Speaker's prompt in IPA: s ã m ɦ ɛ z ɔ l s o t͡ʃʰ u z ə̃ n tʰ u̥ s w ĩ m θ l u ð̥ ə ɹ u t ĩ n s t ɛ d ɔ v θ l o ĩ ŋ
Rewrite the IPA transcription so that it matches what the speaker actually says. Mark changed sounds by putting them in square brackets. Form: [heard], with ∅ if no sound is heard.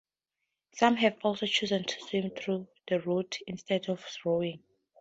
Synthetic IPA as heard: s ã m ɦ ɛ [v] ɔ l s o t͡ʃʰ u z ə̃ n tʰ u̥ s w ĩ m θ [ɹ] u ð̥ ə ɹ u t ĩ n s t ɛ d ɔ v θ [ɹ] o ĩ ŋ